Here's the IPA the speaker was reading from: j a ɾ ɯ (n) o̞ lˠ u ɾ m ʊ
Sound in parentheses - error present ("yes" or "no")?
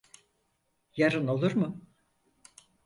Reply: no